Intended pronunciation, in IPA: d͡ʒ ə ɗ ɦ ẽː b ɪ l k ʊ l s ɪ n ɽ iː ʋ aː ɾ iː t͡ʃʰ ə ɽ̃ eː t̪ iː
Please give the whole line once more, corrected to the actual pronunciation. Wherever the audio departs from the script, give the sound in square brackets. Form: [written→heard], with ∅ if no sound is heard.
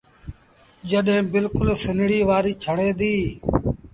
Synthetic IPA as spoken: d͡ʒ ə ɗ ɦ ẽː b ɪ l k ʊ l s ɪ n ɽ iː ʋ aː ɾ iː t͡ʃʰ ə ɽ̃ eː [t̪→d̪] iː